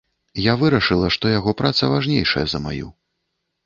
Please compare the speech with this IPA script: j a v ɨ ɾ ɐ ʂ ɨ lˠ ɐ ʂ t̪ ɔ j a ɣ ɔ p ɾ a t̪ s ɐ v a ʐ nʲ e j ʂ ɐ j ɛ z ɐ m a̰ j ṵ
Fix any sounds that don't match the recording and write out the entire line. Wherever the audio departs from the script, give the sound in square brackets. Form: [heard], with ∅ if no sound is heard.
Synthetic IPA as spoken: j a v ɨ ɾ ɐ ʂ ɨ lˠ ɐ ʂ t̪ ɔ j a ɣ ɔ p ɾ a t̪ s ɐ v a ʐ nʲ e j ʂ ɐ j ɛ z ɐ m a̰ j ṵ